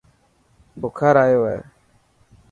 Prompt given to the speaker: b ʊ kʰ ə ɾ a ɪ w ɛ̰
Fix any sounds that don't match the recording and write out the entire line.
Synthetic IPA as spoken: b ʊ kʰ a ɾ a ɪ w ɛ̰

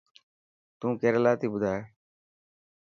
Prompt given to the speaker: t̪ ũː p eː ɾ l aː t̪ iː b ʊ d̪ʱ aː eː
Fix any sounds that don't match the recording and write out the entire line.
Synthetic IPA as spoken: t̪ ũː k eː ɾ l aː t̪ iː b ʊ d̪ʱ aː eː

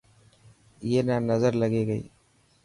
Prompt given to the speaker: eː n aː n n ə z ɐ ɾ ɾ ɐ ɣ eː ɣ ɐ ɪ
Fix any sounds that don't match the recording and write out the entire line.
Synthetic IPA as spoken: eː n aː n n ɐ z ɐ ɾ l ɐ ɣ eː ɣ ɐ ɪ

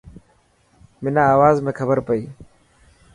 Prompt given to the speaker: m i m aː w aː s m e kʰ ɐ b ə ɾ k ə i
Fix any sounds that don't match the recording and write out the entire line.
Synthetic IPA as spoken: m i n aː w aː z m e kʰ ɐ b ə ɾ p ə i

